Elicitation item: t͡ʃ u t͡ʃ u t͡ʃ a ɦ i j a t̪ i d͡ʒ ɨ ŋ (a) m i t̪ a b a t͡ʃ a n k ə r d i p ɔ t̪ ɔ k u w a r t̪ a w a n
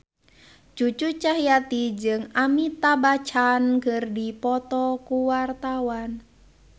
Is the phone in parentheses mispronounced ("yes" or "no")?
no